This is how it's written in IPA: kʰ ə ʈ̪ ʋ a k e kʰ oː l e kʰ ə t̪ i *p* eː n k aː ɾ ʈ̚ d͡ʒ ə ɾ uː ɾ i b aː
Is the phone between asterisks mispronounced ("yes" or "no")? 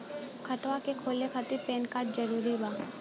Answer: no